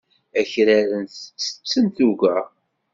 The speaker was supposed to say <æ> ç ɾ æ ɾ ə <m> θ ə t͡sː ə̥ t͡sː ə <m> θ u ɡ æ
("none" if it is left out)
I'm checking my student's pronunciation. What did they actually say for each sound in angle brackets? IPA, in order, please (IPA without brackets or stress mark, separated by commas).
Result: æ, n, n